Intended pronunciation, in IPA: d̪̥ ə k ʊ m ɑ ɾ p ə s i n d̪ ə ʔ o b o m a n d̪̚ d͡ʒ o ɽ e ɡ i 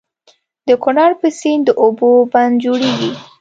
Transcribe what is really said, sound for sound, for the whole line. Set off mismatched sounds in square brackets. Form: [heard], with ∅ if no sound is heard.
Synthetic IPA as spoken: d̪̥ ə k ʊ [n] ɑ ɾ p ə s i n d̪ ə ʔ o b o [b] a n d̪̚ d͡ʒ o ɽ e ɡ i